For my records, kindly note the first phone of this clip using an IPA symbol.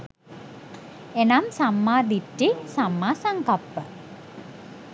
e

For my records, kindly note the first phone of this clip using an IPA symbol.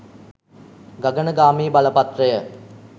ɡ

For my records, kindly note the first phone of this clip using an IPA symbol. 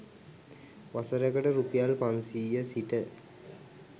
ʋ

